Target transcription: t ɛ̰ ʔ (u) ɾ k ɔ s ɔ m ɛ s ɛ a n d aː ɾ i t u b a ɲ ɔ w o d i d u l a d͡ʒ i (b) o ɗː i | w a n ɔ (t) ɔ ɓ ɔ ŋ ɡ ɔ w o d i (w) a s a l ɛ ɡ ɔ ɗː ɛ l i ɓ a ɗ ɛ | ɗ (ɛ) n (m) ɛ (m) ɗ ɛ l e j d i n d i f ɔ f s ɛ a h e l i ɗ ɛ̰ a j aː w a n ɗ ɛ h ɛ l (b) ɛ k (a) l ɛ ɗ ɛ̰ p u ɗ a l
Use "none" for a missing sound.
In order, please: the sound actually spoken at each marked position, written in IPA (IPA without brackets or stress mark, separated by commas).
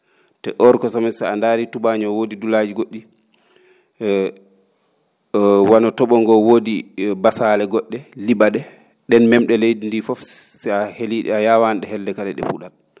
ɔ, ɡ, t, b, ɛ, m, m, d, a